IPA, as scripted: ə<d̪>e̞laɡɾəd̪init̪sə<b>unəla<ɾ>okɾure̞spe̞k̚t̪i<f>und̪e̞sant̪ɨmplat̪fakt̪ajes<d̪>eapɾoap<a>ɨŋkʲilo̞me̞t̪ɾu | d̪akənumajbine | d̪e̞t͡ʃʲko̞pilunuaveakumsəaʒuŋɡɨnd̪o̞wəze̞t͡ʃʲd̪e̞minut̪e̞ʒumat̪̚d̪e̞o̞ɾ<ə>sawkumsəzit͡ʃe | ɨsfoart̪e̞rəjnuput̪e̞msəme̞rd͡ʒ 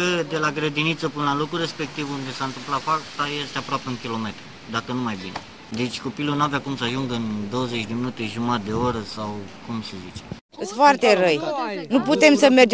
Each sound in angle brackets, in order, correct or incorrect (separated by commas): correct, incorrect, incorrect, incorrect, incorrect, incorrect, correct